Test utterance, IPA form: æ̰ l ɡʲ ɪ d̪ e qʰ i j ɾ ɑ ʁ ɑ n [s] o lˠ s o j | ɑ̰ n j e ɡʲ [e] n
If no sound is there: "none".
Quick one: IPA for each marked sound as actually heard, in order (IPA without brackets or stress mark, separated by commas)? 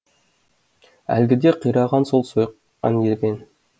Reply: s, e